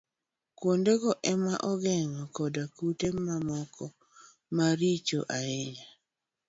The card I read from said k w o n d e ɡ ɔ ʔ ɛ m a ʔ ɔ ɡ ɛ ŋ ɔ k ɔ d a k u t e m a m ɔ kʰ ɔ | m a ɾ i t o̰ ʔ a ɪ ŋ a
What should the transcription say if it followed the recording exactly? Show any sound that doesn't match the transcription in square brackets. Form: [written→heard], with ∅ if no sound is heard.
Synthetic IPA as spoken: k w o n d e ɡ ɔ ʔ ɛ m a ʔ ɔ ɡ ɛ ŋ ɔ k ɔ d a k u t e m a m ɔ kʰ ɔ | m a ɾ i [t→t͡ʃ] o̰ ʔ a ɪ [ŋ→ɲ] a